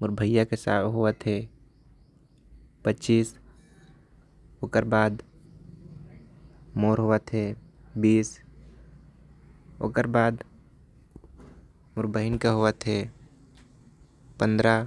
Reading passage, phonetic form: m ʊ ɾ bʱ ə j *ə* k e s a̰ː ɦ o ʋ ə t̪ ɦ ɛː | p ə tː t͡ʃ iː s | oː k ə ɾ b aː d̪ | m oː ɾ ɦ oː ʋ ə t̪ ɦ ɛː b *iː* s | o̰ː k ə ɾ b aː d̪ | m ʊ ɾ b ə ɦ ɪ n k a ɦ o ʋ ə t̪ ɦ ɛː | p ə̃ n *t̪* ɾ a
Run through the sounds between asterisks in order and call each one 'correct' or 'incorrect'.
incorrect, correct, incorrect

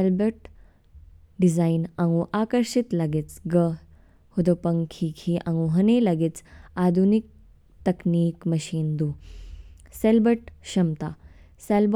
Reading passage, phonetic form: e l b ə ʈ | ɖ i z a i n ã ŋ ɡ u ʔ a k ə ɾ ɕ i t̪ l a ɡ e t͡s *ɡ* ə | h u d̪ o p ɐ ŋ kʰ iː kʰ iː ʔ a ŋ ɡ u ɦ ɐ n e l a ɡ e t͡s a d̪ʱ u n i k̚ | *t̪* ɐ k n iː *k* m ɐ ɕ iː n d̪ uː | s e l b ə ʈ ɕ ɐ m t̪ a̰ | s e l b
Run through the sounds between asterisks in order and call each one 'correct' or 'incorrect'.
correct, correct, correct

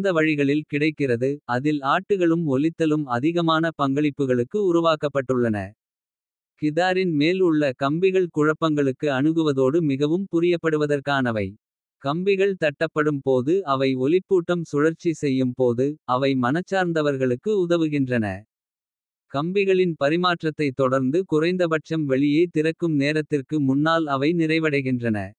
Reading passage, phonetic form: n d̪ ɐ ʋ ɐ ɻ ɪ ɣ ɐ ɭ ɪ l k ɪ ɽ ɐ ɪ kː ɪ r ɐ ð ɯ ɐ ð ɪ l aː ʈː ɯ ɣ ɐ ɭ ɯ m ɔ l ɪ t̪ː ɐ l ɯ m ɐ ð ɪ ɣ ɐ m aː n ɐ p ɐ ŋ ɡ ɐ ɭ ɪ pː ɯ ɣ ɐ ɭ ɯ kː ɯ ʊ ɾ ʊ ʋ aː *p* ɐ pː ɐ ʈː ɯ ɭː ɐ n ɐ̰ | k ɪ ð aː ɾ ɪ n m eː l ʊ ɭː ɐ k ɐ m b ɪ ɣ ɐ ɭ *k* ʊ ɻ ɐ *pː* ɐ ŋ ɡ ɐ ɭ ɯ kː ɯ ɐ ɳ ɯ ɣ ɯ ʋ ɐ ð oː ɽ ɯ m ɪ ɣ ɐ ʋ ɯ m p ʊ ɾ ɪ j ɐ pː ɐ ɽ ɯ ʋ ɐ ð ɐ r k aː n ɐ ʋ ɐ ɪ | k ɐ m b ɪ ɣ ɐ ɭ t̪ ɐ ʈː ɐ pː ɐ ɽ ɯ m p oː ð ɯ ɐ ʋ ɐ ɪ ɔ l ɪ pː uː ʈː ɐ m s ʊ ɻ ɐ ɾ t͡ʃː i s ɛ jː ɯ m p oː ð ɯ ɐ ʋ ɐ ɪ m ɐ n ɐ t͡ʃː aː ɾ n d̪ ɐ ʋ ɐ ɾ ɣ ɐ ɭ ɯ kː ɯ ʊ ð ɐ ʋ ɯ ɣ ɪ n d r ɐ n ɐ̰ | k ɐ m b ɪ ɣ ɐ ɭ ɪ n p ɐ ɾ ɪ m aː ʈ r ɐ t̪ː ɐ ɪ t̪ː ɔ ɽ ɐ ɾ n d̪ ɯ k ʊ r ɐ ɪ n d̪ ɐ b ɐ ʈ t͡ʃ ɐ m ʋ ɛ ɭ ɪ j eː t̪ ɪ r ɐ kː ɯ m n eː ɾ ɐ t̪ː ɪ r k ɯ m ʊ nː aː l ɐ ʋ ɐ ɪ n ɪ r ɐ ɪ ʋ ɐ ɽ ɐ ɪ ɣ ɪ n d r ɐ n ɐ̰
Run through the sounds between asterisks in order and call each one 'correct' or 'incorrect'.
incorrect, correct, correct

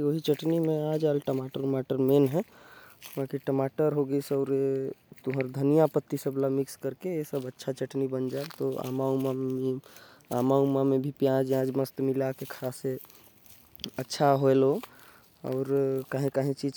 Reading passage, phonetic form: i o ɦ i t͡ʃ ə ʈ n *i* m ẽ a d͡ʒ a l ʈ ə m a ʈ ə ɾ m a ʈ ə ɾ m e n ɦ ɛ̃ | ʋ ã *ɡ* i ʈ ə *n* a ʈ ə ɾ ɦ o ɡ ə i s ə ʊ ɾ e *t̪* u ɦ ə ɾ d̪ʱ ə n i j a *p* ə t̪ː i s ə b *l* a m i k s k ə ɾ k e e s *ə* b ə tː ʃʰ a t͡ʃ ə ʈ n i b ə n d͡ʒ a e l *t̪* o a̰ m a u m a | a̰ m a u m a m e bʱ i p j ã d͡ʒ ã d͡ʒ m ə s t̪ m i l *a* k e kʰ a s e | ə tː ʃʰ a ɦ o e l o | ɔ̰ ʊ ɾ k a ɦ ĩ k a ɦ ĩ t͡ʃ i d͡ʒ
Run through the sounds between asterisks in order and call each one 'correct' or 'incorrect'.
correct, incorrect, incorrect, correct, correct, correct, correct, correct, correct

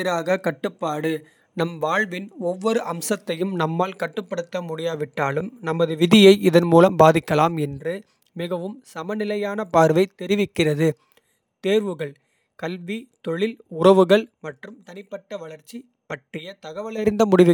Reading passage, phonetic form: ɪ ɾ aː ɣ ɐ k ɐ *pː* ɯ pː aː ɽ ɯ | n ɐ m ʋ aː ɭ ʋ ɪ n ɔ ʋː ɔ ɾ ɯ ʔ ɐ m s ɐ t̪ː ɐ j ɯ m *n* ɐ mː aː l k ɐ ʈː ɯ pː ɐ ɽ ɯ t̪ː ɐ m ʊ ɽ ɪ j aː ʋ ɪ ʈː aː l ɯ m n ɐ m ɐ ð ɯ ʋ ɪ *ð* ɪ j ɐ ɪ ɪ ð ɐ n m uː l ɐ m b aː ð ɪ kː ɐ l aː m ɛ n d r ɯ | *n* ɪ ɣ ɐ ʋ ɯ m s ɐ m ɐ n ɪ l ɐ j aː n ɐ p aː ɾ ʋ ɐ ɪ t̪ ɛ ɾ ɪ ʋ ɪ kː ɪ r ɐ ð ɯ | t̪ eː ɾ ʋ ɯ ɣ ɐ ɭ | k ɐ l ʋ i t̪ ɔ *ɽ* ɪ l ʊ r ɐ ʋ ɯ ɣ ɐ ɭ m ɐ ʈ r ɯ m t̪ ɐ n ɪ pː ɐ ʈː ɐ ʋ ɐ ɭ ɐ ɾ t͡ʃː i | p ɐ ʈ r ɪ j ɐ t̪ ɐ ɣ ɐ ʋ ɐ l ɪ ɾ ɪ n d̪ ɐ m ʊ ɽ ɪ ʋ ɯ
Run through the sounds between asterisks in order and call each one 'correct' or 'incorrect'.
incorrect, correct, correct, incorrect, incorrect

